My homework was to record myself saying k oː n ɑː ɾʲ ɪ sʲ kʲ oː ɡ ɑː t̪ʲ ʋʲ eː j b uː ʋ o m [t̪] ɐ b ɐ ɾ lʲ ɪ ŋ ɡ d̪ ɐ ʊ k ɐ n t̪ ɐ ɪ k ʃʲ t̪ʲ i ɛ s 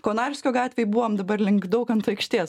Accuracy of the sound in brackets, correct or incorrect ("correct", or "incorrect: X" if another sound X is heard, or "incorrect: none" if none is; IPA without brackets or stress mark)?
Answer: incorrect: d̪